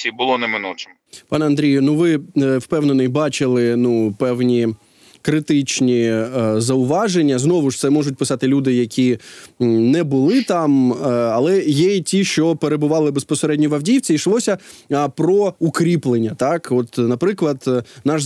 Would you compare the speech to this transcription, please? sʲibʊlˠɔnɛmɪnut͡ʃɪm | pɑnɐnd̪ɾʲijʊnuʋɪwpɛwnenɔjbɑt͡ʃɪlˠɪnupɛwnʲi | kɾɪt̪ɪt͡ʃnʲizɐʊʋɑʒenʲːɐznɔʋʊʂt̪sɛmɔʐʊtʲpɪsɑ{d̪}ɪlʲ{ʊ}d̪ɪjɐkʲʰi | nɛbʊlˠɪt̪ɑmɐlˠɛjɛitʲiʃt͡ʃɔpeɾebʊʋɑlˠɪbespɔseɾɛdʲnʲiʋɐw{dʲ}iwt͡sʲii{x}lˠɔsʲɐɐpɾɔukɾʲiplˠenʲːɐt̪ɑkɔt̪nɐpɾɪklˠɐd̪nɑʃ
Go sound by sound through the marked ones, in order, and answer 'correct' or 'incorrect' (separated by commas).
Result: incorrect, incorrect, correct, incorrect